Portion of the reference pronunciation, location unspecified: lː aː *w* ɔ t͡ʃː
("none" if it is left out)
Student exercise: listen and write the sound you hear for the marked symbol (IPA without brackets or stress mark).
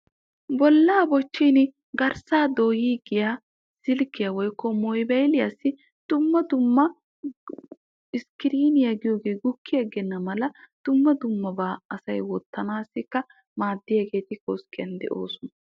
b